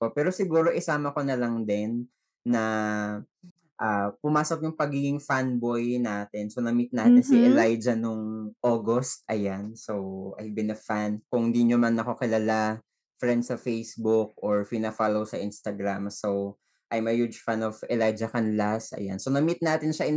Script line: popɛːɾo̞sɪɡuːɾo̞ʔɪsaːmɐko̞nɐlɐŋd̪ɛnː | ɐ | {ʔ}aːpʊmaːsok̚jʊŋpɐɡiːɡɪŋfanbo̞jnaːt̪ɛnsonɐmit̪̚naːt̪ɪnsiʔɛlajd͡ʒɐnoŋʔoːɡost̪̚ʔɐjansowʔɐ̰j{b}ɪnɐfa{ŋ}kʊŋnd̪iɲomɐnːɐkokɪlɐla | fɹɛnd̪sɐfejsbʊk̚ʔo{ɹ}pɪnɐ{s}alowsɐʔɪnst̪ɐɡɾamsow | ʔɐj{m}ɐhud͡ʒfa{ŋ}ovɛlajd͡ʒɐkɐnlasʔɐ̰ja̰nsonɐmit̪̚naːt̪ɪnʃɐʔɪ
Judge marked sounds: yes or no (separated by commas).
yes, yes, no, yes, no, yes, no